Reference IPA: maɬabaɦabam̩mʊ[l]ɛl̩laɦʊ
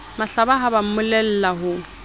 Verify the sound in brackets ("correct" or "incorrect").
correct